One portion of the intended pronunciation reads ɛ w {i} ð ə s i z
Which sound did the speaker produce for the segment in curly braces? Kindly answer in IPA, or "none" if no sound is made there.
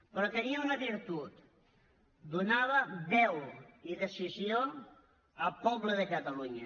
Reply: i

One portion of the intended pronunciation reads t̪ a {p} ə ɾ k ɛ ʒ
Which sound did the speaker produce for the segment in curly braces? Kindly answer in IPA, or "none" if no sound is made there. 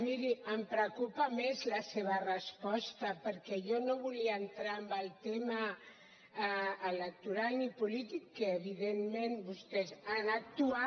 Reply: p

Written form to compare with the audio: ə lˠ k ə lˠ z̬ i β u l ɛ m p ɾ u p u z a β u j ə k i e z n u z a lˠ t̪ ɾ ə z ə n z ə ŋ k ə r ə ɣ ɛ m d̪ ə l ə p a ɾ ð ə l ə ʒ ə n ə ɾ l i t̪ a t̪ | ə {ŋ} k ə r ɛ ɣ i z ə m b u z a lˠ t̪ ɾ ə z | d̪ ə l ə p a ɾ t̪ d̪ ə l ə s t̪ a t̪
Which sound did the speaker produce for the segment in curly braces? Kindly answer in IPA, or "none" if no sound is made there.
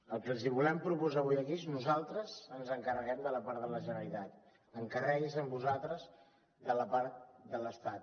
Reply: ŋ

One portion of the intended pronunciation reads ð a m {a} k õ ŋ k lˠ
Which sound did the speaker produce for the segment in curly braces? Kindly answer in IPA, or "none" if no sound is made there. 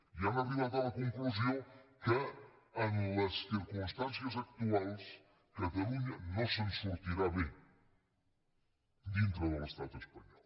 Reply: ɐ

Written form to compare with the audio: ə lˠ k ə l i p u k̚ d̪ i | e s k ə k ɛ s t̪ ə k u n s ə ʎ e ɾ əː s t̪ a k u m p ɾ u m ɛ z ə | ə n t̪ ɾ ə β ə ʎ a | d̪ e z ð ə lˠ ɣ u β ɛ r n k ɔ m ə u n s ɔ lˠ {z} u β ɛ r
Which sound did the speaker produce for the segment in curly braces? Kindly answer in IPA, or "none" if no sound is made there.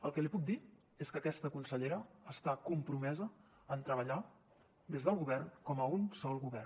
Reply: ɣ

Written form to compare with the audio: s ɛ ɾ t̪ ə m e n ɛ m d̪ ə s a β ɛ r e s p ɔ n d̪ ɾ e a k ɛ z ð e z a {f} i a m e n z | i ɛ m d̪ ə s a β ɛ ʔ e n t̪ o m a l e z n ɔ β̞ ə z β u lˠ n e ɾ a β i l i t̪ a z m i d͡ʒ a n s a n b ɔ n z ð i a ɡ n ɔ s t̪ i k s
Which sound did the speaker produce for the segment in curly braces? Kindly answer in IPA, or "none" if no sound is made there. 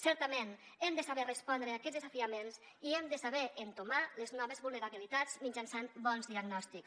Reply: f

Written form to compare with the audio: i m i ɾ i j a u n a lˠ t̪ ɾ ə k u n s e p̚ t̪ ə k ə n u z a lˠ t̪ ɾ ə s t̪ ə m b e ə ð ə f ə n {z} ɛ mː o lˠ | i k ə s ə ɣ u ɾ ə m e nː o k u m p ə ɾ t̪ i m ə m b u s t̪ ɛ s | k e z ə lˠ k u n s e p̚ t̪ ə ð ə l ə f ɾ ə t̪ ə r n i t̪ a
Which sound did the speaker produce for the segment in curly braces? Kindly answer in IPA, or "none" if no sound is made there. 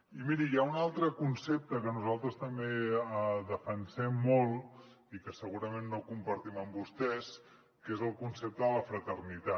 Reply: s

